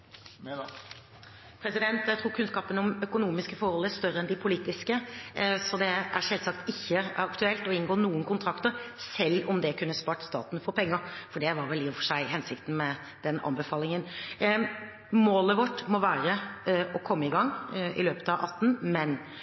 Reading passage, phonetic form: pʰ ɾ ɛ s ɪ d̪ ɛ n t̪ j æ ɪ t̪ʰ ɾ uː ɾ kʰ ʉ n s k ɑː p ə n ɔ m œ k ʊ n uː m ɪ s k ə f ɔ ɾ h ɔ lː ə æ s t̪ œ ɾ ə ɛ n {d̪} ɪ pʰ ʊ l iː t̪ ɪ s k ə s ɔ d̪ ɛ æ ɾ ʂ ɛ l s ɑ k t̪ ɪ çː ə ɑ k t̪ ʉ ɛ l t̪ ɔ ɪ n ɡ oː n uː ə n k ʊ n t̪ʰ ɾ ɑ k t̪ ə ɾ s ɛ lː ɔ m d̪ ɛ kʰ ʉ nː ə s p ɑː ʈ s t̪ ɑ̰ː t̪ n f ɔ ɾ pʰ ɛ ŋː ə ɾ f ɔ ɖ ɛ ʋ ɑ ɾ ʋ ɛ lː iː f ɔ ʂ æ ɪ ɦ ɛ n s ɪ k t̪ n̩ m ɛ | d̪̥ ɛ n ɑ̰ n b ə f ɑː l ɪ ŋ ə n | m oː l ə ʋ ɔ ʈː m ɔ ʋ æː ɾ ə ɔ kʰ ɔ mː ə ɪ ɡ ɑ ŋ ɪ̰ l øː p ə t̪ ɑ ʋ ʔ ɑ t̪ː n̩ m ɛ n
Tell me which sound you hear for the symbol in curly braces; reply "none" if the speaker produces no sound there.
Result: d̪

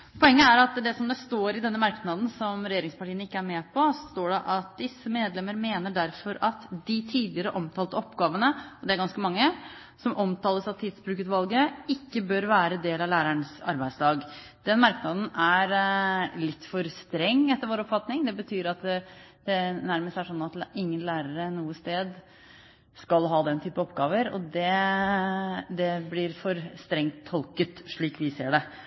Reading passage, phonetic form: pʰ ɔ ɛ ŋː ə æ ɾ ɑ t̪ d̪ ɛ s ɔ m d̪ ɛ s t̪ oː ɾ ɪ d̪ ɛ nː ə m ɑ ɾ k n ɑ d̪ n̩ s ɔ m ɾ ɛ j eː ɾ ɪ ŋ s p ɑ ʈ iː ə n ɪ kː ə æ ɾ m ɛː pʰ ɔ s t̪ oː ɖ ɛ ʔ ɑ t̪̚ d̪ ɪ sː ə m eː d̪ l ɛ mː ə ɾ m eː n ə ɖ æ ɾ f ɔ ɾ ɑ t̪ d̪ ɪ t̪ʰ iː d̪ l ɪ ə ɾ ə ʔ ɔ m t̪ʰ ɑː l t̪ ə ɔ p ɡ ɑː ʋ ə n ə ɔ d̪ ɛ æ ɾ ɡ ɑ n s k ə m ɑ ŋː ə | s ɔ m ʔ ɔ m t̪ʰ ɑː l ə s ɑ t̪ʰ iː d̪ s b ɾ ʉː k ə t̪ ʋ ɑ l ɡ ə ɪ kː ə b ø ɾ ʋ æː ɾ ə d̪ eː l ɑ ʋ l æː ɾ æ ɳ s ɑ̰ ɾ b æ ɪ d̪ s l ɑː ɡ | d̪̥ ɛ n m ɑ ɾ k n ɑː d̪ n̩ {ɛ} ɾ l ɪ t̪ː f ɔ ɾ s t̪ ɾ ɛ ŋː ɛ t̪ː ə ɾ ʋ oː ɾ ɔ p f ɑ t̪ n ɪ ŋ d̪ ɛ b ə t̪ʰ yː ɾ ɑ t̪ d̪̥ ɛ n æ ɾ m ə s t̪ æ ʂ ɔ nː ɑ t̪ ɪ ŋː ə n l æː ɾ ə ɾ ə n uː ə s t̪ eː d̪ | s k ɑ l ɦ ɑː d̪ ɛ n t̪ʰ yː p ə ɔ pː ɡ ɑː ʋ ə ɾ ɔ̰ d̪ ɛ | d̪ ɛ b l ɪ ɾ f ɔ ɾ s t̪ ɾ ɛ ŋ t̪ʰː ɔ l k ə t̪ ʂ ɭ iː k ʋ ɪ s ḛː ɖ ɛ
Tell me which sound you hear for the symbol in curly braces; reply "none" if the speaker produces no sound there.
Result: æ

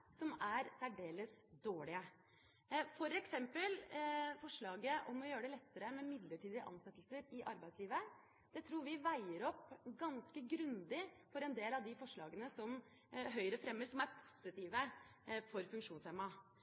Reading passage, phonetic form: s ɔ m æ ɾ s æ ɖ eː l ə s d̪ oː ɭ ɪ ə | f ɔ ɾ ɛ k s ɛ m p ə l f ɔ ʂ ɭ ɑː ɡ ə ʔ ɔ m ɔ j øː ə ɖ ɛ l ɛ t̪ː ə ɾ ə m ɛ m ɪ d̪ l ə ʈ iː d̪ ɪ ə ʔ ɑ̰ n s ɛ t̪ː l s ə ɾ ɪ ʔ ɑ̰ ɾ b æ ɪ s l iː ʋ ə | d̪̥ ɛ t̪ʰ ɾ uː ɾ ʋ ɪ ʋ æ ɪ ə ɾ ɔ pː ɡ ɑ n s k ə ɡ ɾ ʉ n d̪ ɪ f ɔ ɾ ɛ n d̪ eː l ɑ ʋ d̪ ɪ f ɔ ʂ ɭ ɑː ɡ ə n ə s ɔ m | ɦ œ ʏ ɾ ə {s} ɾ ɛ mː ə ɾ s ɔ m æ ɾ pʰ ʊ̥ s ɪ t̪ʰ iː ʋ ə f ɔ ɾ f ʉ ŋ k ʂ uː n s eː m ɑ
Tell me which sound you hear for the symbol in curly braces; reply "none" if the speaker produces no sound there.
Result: f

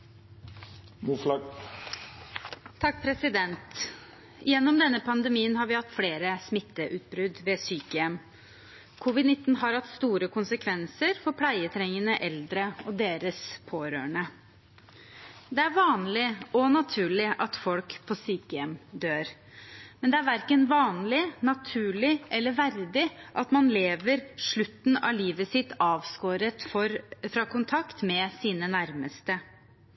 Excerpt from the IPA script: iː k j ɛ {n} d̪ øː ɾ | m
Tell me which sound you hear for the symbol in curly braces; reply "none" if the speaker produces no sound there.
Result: m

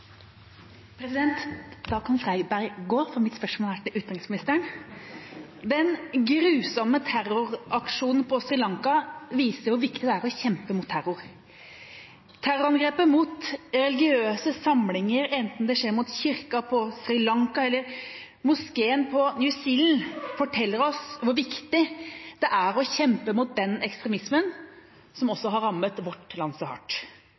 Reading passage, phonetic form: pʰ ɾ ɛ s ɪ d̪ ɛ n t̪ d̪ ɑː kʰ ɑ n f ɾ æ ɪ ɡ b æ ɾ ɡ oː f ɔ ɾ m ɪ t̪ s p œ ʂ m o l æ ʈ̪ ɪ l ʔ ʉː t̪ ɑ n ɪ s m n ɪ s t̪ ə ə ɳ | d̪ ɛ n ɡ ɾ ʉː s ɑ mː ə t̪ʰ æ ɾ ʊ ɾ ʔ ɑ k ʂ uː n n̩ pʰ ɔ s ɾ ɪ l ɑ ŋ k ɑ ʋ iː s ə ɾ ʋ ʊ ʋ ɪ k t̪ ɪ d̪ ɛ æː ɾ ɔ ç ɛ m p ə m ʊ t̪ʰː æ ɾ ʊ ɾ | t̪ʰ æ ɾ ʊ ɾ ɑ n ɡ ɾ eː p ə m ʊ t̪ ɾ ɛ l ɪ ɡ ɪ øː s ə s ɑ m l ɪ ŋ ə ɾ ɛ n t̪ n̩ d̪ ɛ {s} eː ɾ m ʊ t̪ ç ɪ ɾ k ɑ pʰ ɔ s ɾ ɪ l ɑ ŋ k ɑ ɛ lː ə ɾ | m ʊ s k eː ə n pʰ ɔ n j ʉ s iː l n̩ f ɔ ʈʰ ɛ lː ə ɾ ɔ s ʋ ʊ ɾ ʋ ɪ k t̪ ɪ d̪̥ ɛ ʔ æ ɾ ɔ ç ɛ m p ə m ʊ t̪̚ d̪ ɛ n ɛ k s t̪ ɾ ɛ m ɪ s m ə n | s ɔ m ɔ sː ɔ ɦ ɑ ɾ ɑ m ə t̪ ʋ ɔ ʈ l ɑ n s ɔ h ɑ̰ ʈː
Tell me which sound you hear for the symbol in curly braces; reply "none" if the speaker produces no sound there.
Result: ʂ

